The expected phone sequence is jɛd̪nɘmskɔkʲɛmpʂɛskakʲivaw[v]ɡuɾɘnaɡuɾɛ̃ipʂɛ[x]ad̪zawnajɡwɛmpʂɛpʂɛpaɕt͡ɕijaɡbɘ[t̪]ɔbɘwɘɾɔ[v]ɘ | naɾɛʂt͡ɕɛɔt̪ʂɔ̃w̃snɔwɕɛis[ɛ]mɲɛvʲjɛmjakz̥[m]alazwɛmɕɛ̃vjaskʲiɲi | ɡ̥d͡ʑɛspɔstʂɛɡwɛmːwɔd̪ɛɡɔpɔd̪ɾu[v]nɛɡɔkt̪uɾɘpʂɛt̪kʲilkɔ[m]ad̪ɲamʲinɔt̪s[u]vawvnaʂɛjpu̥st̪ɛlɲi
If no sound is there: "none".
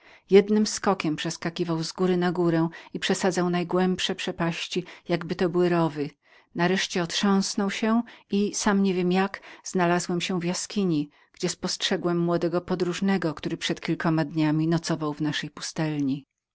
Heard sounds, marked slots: z, s, t̪, v, a, n, ʐ, m, ɔ

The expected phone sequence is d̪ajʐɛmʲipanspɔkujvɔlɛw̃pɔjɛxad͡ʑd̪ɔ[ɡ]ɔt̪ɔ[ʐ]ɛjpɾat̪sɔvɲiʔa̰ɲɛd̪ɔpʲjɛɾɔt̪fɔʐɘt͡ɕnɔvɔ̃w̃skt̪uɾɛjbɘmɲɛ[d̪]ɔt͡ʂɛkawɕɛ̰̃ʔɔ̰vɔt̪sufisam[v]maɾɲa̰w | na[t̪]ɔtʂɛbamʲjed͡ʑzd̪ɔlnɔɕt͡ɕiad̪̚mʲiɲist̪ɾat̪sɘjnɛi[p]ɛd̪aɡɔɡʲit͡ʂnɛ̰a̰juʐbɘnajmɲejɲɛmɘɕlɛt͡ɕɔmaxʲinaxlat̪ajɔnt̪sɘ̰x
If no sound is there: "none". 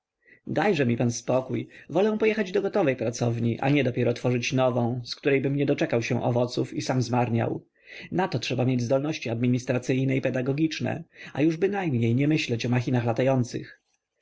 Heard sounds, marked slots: ɡ, v, d̪, z, t̪, p

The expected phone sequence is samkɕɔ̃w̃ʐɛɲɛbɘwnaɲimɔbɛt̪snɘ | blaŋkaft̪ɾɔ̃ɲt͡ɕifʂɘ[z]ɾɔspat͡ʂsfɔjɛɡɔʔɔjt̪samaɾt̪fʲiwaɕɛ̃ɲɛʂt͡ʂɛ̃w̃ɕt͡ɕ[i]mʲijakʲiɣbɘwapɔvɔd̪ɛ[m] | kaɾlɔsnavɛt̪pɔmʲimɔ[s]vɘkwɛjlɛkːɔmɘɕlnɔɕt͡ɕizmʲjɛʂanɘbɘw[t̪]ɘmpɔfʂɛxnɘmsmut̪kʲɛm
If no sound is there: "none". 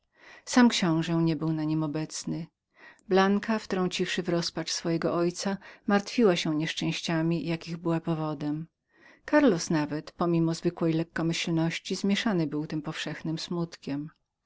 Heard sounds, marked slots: v, a, m, z, t̪

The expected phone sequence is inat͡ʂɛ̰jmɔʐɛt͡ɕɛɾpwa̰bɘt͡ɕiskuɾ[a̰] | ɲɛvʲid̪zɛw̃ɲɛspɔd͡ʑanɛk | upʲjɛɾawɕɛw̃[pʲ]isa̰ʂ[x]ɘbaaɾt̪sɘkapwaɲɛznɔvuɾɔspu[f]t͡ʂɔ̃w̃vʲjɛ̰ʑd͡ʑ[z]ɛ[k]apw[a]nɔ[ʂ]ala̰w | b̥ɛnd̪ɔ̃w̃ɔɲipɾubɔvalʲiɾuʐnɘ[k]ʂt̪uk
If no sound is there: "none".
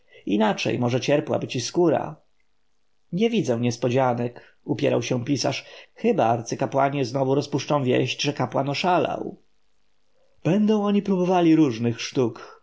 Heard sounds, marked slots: a̰, pʲ, x, ʂ, ʐ, k, a, ʂ, x

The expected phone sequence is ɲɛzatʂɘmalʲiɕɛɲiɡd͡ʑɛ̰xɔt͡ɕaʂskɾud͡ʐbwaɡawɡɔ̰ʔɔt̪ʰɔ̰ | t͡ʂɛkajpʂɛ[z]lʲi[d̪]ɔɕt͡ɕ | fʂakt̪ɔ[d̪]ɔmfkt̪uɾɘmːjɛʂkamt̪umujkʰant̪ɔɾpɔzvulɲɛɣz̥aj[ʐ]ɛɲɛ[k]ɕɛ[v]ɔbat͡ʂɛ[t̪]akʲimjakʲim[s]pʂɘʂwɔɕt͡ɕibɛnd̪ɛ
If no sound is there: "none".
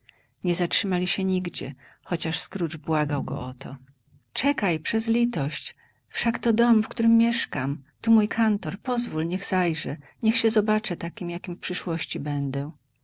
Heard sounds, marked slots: z, t̪, d̪, ʐ, x, z, t̪, f

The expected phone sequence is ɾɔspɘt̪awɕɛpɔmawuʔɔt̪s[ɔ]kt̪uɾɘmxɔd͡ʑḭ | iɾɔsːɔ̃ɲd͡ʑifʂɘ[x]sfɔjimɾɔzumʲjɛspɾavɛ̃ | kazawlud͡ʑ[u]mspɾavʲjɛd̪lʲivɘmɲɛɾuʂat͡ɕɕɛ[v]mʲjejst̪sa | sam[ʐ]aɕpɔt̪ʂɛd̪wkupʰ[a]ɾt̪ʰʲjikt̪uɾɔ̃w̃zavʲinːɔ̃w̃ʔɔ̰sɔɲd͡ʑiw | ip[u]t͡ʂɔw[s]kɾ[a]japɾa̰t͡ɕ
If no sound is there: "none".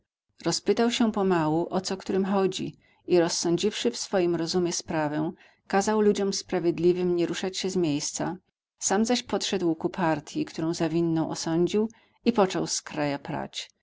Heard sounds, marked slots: ɔ, f, ɔ, z, z, a, ɔ, s, a

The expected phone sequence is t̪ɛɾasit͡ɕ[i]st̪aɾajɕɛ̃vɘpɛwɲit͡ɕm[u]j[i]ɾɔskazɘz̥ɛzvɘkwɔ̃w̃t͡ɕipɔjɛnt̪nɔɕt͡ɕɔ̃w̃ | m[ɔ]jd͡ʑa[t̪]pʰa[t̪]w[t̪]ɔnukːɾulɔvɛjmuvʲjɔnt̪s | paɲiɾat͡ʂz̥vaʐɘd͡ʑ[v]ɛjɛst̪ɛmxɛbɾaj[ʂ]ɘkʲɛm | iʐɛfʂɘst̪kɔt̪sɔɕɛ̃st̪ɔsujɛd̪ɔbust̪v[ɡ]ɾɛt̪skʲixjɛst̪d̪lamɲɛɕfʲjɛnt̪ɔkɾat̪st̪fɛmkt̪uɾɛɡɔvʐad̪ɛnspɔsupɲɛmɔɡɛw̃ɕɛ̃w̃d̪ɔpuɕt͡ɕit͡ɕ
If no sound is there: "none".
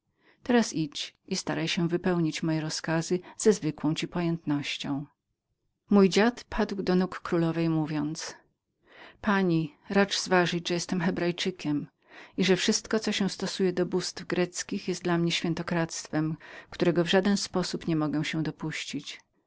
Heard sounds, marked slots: i, ɔ, ɛ, u, t̪, d̪, d̪, ʐ, t͡ʂ, ɡ

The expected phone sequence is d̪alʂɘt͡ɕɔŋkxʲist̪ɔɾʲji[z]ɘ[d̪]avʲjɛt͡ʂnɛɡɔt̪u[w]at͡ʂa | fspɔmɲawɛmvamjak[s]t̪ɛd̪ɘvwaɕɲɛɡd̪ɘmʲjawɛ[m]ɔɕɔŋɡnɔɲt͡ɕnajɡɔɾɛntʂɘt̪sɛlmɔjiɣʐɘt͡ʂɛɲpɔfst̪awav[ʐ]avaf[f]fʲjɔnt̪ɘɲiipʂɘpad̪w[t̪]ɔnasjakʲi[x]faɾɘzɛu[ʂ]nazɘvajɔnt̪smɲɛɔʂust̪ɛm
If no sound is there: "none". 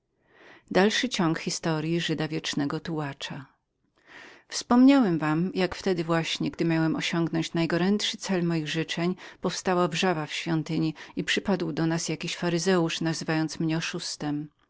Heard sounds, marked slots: ʐ, d̪, w, f, m, ʐ, ɕ, d̪, ɕ, ʂ

